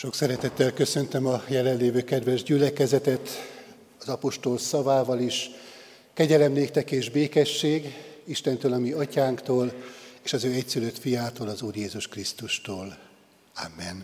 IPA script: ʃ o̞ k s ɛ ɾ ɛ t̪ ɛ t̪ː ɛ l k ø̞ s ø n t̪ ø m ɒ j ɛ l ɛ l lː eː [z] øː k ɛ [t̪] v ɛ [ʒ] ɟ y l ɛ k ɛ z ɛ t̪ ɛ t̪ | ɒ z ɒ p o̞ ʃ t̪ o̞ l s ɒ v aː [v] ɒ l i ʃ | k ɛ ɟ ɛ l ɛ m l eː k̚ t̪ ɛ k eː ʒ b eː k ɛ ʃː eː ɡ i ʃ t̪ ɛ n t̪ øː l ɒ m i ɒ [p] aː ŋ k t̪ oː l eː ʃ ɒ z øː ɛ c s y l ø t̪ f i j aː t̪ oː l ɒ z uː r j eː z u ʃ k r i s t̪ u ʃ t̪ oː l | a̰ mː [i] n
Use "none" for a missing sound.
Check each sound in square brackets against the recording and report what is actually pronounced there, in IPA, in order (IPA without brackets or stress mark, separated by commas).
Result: v, d̪, ʒ, v, c, ɛ